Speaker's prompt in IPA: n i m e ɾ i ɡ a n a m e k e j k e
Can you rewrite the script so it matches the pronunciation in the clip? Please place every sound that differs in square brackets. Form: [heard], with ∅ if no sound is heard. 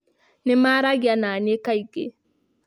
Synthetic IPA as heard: n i m [a] ɾ [a] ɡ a n a [n] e k [a] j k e